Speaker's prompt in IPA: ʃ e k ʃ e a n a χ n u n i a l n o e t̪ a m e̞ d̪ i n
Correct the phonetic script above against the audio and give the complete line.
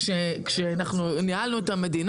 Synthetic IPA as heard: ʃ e k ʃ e a n a χ n u n i a l n u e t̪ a m e̞ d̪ i n